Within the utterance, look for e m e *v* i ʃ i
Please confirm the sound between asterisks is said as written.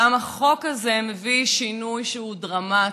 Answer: yes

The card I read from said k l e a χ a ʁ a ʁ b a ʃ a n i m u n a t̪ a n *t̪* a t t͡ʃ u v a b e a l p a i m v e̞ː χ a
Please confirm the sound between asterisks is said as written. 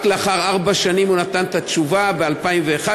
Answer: yes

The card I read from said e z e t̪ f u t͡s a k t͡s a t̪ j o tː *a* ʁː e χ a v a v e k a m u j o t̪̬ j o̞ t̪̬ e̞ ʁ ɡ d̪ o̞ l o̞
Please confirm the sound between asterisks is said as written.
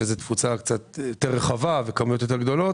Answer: no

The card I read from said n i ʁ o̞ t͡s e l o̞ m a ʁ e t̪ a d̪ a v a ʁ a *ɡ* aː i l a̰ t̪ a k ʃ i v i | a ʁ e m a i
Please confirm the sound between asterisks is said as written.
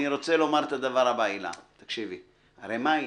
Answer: no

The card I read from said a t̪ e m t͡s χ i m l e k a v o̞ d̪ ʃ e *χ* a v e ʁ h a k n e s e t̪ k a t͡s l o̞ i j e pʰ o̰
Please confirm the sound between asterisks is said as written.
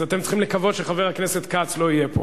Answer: yes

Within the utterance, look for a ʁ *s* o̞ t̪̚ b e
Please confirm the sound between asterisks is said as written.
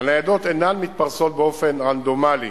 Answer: yes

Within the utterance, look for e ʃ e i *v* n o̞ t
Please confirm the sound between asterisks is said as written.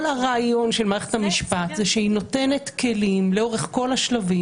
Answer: no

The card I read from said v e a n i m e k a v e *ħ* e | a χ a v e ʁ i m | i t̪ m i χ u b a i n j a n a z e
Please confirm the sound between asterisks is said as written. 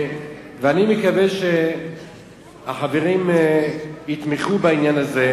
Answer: no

